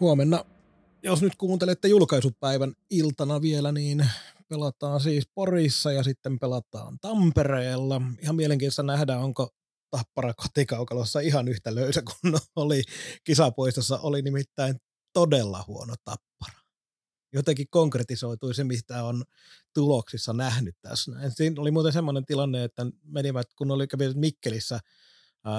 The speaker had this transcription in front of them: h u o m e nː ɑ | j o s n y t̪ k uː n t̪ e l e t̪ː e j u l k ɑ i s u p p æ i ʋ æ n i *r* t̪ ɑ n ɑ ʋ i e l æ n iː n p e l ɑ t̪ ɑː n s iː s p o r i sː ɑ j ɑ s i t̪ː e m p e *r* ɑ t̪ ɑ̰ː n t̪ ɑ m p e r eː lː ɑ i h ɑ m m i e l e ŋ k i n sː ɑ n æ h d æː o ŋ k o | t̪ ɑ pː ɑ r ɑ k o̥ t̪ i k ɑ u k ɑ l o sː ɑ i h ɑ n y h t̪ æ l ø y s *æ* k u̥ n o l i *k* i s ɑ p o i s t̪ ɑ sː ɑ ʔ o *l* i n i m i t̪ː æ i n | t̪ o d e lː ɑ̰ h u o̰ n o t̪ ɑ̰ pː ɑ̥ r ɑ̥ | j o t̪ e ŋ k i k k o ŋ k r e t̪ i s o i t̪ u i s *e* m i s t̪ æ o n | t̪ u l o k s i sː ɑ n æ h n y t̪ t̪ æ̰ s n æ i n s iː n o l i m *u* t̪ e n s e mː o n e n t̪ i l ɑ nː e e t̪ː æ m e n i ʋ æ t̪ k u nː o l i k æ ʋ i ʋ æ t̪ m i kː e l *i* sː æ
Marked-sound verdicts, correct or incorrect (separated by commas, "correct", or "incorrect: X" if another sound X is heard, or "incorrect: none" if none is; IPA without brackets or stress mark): incorrect: l, incorrect: l, correct, correct, correct, correct, incorrect: uː, correct